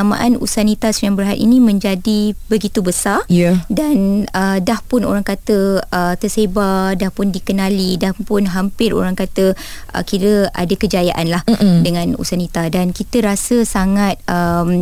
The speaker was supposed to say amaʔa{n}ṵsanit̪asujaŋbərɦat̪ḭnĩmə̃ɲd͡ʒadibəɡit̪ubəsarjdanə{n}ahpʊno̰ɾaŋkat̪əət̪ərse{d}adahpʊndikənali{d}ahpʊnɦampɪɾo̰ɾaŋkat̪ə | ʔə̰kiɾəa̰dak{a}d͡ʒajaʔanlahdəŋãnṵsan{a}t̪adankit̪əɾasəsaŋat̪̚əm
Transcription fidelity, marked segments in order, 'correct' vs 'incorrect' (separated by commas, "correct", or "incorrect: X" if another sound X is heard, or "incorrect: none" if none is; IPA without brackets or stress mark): correct, incorrect: d, incorrect: b, correct, incorrect: ə, incorrect: i